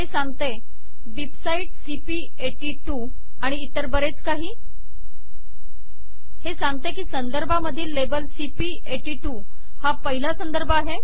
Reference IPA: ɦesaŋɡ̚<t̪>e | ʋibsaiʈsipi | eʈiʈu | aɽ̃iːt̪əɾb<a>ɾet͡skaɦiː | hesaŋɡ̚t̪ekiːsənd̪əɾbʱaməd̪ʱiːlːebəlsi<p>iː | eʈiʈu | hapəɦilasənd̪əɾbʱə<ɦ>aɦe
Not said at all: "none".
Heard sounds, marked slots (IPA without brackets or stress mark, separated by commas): t̪, ə, p, none